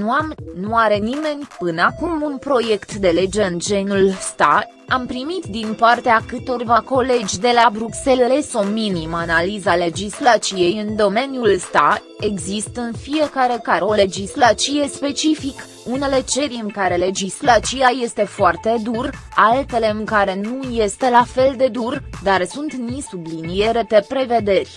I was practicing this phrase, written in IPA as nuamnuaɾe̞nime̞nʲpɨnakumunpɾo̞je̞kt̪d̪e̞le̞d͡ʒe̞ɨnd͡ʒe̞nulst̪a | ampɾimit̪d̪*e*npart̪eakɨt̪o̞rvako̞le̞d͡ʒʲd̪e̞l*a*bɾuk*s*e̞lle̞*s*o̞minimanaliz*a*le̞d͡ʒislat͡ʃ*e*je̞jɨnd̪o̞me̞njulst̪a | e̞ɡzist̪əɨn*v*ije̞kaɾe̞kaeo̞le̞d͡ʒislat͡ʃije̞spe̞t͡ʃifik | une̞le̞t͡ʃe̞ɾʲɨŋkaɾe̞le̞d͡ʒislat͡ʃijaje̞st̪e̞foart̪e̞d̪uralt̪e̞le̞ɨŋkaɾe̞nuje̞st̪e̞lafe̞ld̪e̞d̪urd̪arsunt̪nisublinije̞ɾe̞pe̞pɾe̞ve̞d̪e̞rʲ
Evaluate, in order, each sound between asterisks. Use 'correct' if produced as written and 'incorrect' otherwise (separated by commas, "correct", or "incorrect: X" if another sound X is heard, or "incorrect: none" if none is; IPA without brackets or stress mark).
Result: incorrect: i, correct, correct, correct, correct, incorrect: i, incorrect: f